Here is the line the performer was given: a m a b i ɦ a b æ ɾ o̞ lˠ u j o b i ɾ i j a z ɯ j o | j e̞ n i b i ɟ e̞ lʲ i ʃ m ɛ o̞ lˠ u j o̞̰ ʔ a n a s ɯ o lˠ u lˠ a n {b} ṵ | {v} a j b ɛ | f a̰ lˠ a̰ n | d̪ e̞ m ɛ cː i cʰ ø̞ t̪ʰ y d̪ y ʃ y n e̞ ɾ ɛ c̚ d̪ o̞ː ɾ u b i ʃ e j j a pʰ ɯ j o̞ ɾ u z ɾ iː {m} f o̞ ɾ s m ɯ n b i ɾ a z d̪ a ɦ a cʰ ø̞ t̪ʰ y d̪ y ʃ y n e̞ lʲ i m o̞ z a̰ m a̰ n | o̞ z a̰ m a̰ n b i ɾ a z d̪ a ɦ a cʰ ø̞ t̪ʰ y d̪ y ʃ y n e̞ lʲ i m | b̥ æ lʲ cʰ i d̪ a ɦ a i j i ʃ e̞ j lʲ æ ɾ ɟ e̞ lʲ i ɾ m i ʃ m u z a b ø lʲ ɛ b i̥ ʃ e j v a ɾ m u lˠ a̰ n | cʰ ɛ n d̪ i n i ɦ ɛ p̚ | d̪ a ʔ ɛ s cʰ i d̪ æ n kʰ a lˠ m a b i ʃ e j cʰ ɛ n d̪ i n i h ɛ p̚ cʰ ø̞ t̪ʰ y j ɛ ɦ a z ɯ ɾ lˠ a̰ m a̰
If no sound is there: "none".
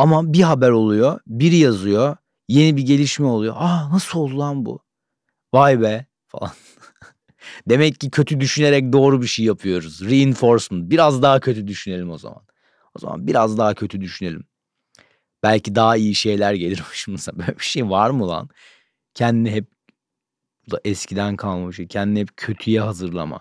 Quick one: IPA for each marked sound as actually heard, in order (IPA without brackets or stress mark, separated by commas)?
b, v, n